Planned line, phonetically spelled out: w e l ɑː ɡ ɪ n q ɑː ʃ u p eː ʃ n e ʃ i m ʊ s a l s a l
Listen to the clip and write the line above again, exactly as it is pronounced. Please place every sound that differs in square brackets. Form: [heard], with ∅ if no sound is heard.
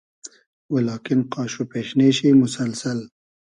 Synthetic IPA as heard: w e l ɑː [k] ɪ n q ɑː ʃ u p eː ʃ n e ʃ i m ʊ s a l s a l